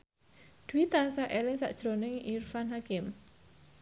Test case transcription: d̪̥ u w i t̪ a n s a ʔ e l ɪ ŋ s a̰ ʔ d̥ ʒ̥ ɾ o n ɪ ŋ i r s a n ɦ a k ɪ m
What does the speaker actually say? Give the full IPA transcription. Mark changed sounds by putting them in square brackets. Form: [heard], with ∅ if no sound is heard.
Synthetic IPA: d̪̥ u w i t̪ a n s a ʔ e l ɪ ŋ s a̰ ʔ d̥ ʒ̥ ɾ o n ɪ ŋ i r [f] a n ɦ a k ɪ m